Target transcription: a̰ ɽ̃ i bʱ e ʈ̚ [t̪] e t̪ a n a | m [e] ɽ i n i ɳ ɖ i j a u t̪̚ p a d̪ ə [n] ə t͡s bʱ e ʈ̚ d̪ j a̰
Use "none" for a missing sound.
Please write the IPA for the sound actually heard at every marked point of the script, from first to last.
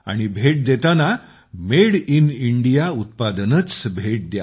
d̪, e, n

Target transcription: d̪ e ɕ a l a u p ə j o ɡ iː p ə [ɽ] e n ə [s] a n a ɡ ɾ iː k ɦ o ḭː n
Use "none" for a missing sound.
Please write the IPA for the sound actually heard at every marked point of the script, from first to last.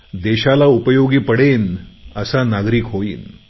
ɽ, s

